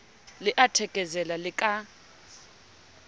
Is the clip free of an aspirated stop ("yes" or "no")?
no